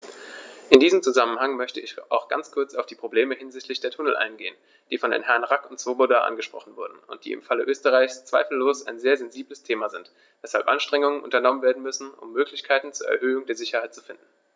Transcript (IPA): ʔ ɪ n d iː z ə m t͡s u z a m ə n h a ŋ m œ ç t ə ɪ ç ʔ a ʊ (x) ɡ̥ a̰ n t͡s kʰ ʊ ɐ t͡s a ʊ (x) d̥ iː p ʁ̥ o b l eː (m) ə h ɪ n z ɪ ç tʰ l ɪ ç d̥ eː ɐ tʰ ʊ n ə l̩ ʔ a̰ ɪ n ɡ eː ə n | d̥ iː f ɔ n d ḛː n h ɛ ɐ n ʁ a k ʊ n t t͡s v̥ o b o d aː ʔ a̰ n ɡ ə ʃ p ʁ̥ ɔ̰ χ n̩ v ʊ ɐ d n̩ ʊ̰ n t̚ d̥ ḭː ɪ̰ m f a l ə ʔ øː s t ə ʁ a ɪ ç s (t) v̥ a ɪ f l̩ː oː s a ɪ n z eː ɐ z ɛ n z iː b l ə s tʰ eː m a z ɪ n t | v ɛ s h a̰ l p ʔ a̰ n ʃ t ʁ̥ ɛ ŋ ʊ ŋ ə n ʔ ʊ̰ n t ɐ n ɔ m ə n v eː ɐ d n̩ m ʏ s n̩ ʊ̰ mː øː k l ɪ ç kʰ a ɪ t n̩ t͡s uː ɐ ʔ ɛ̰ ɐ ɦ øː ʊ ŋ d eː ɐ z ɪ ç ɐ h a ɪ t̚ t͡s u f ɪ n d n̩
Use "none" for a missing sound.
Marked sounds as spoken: x, f, m, t͡s

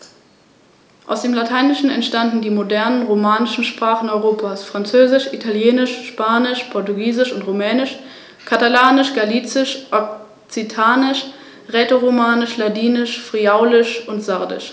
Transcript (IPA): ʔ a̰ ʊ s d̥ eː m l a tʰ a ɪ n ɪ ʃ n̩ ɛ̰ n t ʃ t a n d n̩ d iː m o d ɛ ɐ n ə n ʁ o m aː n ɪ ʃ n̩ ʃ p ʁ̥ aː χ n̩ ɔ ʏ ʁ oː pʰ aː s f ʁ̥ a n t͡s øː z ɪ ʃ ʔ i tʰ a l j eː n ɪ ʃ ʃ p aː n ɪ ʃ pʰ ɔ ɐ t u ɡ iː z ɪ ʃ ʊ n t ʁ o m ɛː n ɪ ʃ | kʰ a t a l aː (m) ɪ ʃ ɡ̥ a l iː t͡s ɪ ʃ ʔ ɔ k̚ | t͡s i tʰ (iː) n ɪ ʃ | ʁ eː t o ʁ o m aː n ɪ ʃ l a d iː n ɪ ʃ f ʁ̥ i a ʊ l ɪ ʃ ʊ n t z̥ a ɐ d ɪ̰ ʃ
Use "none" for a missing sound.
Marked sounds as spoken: n, aː

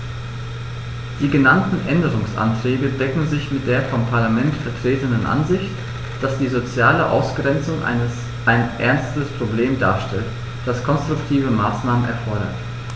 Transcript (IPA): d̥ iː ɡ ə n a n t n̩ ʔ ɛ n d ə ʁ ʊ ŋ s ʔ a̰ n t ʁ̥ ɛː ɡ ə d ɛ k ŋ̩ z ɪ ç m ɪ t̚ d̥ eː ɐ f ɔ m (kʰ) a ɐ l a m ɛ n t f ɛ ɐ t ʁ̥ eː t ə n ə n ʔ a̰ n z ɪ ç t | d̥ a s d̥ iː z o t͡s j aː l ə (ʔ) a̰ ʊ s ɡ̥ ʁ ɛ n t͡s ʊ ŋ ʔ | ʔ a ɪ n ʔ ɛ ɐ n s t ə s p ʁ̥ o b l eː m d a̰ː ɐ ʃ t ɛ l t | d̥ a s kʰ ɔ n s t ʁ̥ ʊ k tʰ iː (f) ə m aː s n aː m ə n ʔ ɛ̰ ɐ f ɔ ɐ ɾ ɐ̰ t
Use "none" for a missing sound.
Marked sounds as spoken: pʰ, ʔ, v

